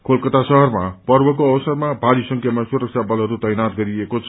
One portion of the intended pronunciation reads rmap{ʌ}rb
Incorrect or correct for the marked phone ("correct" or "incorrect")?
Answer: correct